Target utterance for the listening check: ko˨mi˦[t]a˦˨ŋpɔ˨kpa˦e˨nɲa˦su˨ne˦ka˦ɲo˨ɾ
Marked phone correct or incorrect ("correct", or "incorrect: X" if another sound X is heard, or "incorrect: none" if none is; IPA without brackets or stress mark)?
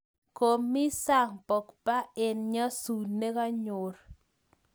incorrect: s